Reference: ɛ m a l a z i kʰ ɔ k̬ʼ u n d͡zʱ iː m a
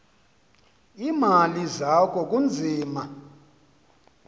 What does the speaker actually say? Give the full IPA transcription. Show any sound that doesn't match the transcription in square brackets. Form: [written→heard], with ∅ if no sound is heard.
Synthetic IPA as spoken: [ɛ→i] m a l [a→i] z [i→a] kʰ ɔ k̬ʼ u n d͡zʱ iː m a